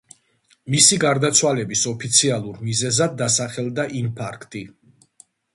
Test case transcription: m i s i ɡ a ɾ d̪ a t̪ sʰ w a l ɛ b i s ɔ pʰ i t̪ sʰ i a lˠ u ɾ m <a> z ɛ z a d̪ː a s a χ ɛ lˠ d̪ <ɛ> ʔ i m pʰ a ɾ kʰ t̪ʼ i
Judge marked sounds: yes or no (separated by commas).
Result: no, no